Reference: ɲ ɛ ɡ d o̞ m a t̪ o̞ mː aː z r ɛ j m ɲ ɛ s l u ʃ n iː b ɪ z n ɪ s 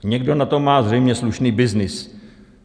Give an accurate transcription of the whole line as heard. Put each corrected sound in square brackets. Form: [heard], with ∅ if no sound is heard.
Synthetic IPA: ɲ ɛ ɡ d o̞ [n] a t̪ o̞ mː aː z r ɛ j m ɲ ɛ s l u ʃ n iː b ɪ z n ɪ s